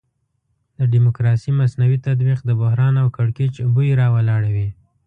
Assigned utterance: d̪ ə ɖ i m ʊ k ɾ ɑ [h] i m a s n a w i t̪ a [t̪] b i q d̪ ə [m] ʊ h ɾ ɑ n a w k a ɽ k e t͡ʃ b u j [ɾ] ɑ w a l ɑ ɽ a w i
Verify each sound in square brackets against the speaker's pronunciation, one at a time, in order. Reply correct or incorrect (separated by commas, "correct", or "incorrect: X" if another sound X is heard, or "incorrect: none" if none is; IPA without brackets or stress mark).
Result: incorrect: s, incorrect: d̪, incorrect: b, correct